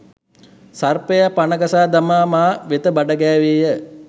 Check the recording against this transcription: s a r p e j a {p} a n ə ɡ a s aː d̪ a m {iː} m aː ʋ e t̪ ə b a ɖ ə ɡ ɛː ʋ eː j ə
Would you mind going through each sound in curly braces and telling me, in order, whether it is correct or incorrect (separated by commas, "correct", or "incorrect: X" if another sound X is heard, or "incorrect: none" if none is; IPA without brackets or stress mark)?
correct, incorrect: aː